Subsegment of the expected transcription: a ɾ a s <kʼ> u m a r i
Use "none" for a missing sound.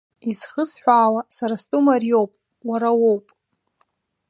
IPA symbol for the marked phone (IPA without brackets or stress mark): tʼ